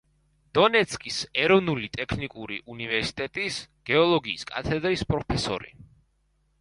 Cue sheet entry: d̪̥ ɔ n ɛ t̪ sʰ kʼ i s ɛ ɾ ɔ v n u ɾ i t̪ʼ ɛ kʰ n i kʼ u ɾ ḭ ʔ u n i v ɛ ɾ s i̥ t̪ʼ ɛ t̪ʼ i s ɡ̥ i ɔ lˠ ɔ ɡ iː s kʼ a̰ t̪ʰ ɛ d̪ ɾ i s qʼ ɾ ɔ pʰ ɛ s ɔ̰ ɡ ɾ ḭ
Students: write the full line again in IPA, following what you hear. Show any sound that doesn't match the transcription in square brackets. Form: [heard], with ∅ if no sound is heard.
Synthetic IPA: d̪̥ ɔ n ɛ t̪ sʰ kʼ i s ɛ ɾ ɔ v n u [l] i t̪ʼ ɛ kʰ n i kʼ u ɾ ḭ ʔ u n i v ɛ ɾ s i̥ t̪ʼ ɛ t̪ʼ i s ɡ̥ [ɛ] ɔ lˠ ɔ ɡ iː s kʼ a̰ t̪ʰ ɛ d̪ ɾ i s [pʼ] ɾ ɔ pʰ ɛ s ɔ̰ [∅] ɾ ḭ

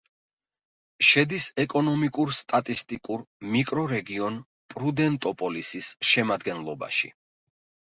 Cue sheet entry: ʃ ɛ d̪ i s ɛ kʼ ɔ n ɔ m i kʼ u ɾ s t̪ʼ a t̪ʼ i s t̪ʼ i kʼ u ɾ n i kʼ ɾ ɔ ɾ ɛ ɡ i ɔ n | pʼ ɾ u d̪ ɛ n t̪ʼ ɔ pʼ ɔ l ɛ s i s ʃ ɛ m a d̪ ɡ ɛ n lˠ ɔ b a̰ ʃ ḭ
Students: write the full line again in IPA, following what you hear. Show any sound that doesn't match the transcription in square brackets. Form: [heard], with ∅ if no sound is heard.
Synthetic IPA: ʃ ɛ d̪ i s ɛ kʼ ɔ n ɔ m i kʼ u ɾ s t̪ʼ a t̪ʼ i s t̪ʼ i kʼ u ɾ [m] i kʼ ɾ ɔ ɾ ɛ ɡ i ɔ n | pʼ ɾ u d̪ ɛ n t̪ʼ ɔ pʼ ɔ l [i] s i s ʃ ɛ m a d̪ ɡ ɛ n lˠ ɔ b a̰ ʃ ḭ

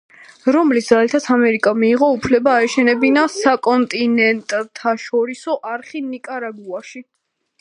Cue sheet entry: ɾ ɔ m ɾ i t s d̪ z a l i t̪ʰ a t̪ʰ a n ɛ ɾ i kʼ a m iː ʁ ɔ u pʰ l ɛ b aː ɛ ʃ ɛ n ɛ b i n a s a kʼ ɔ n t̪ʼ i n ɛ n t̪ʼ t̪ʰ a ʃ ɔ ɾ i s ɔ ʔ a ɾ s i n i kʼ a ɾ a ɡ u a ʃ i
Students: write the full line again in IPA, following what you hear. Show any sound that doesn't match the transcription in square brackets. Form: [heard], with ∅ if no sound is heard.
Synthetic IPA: ɾ ɔ m [l] i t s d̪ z a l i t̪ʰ a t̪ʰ a [m] ɛ ɾ i kʼ a m iː ʁ ɔ u pʰ l ɛ b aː ɛ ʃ ɛ n ɛ b i n a s a kʼ ɔ n t̪ʼ i n ɛ n t̪ʼ t̪ʰ a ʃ ɔ ɾ i s ɔ ʔ a ɾ [χ] i n i kʼ a ɾ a [b] u a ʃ i

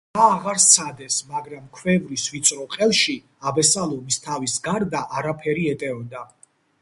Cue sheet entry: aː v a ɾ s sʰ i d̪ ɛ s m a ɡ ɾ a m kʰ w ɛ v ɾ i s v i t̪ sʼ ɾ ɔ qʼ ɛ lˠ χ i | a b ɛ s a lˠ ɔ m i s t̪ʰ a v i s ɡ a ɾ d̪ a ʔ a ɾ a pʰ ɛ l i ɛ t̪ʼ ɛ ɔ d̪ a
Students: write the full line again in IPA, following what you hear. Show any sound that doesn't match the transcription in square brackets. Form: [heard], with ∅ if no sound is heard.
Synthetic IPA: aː [ʁ] a ɾ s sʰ [a] d̪ ɛ s m a ɡ ɾ a m kʰ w ɛ v ɾ i s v i t̪ sʼ ɾ ɔ qʼ ɛ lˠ [ʃ] i | a b ɛ s a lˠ ɔ m i s t̪ʰ a v i s ɡ a ɾ d̪ a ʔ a ɾ a pʰ ɛ [ɾ] i ɛ t̪ʼ ɛ ɔ d̪ a

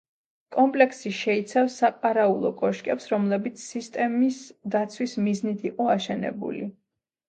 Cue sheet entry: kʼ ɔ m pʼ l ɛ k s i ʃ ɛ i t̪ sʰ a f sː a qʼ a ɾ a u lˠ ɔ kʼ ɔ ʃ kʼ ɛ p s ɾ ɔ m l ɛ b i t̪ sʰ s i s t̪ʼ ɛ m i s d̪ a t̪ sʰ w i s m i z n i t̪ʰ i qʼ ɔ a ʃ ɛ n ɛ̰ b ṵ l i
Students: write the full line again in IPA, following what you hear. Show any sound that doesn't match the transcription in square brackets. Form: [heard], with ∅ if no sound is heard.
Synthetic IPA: kʼ ɔ m pʼ l ɛ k s i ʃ ɛ i t̪ sʰ a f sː a qʼ a ɾ a u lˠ ɔ kʼ ɔ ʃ kʼ ɛ p s ɾ ɔ m l ɛ b i t̪ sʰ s i s t̪ʼ ɛ m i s d̪ a t̪ sʰ w i s m i z n i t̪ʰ i qʼ ɔ a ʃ ɛ n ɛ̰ b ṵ l i

